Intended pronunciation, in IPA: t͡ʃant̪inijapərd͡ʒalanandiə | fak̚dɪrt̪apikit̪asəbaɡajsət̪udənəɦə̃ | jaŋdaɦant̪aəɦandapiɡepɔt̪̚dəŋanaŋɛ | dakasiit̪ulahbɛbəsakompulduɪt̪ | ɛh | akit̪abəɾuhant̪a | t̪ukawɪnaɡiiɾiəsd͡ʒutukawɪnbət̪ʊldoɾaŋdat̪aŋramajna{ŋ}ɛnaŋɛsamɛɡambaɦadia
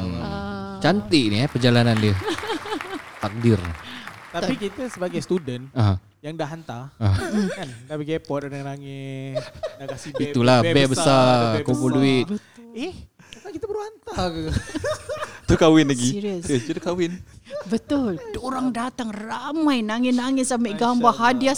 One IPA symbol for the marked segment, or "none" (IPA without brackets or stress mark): ŋ